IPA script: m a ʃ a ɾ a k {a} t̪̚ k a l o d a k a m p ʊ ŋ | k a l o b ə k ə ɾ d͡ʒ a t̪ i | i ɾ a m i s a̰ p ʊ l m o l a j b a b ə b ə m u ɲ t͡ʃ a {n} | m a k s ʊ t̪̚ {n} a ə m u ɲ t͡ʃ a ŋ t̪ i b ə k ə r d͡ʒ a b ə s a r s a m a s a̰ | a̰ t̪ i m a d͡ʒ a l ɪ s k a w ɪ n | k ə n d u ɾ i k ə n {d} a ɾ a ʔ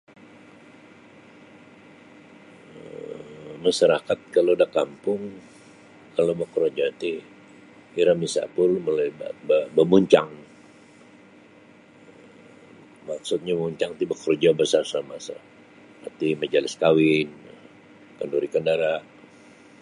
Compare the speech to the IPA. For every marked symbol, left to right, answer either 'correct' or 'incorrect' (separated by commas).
correct, incorrect, incorrect, correct